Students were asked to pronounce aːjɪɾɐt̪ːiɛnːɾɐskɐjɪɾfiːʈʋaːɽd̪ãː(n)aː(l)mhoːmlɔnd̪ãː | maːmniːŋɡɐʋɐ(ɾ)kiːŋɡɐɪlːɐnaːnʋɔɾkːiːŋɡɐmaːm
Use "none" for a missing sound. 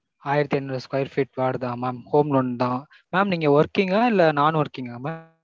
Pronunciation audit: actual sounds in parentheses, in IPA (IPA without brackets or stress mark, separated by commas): m, none, ɾ